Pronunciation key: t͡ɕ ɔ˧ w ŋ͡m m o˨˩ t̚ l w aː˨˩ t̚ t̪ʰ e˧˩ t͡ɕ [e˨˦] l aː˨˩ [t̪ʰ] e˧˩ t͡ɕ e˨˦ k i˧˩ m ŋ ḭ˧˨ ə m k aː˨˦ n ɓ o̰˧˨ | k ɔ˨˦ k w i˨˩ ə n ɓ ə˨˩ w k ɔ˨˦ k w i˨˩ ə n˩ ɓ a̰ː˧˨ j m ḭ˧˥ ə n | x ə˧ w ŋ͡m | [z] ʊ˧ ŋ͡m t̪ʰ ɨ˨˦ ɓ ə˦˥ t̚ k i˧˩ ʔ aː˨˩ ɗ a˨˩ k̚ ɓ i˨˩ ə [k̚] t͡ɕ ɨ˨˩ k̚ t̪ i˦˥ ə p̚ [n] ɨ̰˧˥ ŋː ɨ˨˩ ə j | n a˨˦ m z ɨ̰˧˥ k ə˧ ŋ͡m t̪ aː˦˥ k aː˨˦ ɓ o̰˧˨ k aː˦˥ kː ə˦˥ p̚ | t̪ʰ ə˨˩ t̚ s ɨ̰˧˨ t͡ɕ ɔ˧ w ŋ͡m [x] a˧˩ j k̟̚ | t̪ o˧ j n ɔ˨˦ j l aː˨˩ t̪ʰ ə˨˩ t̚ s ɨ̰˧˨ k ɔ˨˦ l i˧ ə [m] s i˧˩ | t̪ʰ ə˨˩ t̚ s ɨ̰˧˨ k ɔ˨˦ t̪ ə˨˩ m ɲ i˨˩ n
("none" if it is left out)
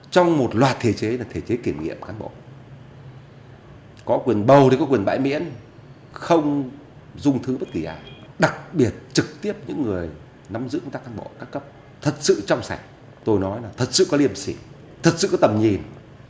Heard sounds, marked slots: e˨˦, t̪ʰ, z, t̚, ɲ, s, m

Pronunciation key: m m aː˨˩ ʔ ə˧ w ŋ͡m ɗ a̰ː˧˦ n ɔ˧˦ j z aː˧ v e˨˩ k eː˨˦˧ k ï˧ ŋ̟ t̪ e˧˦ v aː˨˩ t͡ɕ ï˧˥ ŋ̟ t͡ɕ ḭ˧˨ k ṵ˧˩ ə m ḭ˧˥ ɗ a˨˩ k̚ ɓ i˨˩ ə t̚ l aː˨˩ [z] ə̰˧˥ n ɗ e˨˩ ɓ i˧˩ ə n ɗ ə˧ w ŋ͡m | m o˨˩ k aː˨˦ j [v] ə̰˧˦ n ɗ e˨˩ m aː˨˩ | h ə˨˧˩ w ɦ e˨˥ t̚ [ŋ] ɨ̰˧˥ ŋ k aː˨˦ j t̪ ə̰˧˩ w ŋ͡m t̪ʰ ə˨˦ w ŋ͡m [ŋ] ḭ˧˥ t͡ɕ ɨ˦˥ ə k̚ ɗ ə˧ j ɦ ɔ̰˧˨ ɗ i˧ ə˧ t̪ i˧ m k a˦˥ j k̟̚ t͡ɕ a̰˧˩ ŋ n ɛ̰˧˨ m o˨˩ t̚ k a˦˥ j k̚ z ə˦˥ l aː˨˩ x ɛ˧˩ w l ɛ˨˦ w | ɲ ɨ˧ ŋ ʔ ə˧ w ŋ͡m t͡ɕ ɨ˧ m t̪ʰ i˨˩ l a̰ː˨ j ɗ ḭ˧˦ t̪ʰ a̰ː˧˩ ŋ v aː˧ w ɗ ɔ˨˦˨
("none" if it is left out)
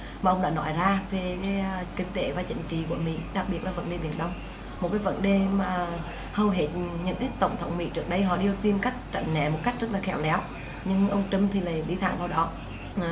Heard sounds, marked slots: v, v, ɲ, m

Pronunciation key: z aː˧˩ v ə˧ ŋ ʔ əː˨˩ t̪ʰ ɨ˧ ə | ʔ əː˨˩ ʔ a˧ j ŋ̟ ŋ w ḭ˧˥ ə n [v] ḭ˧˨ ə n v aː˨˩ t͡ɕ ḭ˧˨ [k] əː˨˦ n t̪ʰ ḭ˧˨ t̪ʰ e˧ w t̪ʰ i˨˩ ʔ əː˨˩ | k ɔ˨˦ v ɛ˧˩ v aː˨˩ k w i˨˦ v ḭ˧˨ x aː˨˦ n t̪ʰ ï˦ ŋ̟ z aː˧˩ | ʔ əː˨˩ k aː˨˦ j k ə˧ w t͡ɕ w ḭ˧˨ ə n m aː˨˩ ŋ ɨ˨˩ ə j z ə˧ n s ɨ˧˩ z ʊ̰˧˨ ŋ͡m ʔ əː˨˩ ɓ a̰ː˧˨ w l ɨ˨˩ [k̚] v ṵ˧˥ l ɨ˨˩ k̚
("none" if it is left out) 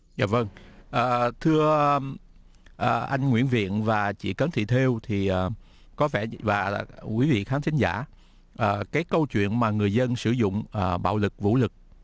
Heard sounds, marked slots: v, k, k̚

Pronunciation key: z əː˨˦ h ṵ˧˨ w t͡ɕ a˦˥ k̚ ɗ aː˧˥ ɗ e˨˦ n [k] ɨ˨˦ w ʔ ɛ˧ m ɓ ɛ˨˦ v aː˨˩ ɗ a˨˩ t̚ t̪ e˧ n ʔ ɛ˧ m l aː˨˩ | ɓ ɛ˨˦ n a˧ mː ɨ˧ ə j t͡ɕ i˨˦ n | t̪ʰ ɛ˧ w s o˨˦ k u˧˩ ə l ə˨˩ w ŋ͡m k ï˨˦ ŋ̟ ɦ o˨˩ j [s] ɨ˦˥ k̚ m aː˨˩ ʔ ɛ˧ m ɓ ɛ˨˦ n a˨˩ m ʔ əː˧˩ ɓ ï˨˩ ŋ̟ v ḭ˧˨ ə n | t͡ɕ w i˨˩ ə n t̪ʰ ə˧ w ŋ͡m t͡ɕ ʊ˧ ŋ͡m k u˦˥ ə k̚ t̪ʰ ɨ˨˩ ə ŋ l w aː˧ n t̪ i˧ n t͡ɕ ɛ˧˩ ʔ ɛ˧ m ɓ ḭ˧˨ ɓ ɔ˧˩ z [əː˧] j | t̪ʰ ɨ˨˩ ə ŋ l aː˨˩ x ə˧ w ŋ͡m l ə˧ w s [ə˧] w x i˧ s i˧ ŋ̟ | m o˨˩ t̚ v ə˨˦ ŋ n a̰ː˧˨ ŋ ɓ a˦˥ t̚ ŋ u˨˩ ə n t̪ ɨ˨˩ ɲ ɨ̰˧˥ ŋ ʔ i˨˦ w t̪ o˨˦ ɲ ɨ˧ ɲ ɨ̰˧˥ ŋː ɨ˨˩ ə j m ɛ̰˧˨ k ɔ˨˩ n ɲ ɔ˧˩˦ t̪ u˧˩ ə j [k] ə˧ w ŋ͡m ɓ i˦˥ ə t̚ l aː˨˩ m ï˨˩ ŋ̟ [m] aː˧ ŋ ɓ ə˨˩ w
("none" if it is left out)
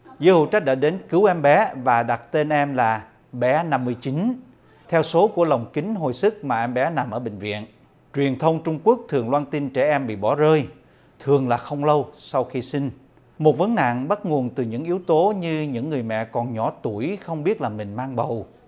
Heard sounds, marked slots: k, s, əː˧, a˧, x, m

